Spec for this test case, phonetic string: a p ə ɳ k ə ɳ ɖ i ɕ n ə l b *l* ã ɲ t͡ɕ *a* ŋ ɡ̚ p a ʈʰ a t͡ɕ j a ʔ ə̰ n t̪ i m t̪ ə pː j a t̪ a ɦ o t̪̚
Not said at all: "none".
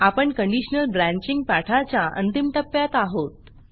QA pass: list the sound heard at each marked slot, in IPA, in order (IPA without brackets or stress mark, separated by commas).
ɾ, i